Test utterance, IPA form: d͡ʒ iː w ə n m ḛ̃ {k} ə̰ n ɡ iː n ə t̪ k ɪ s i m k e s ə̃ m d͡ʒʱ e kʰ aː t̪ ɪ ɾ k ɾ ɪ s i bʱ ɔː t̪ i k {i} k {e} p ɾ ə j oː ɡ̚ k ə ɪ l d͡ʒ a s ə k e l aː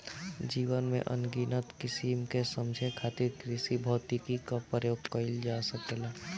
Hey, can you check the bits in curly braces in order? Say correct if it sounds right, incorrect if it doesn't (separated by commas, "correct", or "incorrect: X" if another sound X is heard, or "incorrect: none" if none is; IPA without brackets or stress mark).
incorrect: ʔ, correct, incorrect: a